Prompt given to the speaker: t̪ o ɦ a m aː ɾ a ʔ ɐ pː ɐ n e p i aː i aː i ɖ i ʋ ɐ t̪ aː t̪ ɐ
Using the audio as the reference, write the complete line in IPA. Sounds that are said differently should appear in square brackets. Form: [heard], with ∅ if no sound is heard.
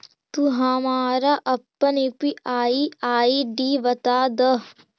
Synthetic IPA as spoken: t̪ [u] ɦ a m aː ɾ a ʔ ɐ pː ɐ n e p i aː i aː i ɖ i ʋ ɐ t̪ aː [d̪] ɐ